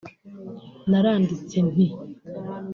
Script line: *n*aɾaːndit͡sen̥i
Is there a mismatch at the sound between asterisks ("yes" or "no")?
no